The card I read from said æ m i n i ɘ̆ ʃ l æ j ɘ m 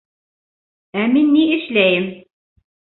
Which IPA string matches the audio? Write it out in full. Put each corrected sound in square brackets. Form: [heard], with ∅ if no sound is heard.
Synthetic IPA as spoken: æ m i [nː] i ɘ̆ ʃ l æ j ɘ m